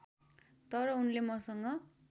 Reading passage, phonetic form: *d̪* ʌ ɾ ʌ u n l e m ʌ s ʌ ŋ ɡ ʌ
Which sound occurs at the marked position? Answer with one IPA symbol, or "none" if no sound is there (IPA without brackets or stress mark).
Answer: t̪